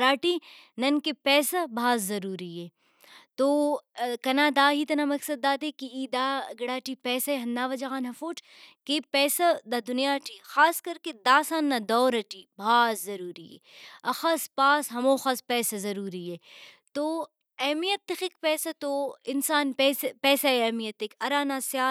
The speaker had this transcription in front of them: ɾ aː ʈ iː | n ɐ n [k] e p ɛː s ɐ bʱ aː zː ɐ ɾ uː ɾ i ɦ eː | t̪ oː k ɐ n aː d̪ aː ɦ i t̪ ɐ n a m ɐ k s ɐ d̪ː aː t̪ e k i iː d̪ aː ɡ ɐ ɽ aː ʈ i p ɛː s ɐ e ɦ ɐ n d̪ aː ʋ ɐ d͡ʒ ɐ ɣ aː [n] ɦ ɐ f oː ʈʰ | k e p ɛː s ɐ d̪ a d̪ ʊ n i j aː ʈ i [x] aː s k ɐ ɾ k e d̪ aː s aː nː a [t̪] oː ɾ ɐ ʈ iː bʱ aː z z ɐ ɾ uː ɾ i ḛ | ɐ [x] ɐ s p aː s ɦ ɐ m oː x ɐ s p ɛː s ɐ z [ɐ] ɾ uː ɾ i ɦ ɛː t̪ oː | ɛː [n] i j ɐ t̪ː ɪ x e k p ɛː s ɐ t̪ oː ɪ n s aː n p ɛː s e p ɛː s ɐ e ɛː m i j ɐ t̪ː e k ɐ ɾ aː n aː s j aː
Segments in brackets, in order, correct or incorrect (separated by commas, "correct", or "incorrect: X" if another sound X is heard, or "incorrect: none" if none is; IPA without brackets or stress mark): correct, correct, correct, incorrect: d̪, correct, correct, incorrect: m